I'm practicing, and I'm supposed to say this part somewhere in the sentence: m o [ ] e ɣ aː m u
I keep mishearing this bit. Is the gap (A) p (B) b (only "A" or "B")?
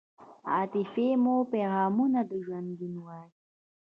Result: A